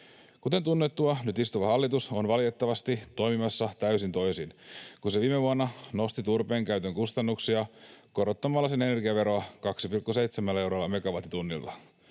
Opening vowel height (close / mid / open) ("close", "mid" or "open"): close